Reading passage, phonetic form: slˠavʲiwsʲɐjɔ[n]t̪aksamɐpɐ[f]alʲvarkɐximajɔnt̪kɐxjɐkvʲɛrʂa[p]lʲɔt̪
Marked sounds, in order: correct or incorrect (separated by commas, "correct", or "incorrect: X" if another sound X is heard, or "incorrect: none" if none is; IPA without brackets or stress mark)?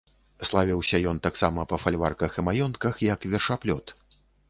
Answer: correct, correct, correct